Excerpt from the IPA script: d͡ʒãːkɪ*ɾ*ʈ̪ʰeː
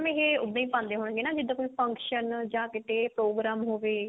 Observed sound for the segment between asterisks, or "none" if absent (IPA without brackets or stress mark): none